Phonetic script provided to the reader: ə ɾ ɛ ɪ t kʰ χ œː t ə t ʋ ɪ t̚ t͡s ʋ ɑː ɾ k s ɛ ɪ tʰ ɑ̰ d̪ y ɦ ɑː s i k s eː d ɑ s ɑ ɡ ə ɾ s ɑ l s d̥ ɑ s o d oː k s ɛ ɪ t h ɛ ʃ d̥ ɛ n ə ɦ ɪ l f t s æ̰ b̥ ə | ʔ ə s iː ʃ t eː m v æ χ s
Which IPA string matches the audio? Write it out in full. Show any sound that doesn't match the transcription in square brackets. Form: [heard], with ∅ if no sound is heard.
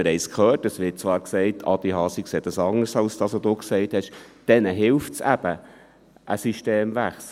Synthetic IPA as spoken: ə ɾ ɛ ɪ [s] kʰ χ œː t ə [s] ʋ ɪ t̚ t͡s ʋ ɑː ɾ k s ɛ ɪ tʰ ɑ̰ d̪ [i] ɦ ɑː s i k s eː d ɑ s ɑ [ŋ] ə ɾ s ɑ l s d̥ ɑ s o d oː k s ɛ ɪ t h ɛ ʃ d̥ ɛ n ə ɦ ɪ l f t s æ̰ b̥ ə | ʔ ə s [i] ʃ t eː m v æ χ s